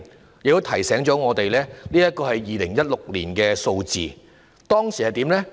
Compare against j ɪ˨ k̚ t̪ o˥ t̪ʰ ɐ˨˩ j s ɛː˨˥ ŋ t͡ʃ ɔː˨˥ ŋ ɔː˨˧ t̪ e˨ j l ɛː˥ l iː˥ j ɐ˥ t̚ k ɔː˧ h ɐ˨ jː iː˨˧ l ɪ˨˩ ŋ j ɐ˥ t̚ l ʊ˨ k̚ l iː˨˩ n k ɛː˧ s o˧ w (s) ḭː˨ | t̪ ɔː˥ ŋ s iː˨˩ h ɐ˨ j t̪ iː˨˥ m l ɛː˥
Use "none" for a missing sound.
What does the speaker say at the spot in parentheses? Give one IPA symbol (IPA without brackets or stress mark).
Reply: t͡s